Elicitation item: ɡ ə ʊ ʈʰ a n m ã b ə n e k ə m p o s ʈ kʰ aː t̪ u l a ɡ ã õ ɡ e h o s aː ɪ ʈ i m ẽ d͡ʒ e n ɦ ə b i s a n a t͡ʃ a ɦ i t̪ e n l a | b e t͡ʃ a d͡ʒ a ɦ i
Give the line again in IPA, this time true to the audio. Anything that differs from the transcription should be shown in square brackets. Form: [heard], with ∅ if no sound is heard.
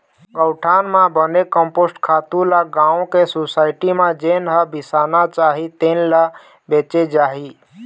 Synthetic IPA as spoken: ɡ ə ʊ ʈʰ a n m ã b ə n e k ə m p o s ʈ kʰ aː t̪ u l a ɡ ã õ [k] e [s] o s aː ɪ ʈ i m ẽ d͡ʒ e n ɦ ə b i s a n a t͡ʃ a ɦ i t̪ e n l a | b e t͡ʃ [e] d͡ʒ a ɦ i